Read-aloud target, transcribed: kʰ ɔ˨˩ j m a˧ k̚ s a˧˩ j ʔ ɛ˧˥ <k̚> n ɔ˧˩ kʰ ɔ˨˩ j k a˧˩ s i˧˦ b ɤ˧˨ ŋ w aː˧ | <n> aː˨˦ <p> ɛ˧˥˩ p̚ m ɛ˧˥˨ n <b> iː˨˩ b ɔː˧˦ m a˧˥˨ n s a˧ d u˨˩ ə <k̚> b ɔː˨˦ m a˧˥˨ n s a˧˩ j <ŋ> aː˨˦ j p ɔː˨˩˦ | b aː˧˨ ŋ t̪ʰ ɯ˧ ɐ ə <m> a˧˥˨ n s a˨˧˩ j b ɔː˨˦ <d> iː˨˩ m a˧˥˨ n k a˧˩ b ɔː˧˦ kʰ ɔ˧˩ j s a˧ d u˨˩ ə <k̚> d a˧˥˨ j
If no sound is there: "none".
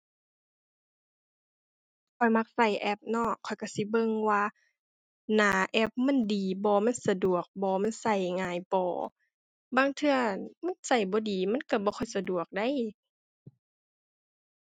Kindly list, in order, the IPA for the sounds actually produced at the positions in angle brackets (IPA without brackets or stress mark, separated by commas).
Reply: p̚, n, ʔ, d, k̚, ŋ, m, d, k̚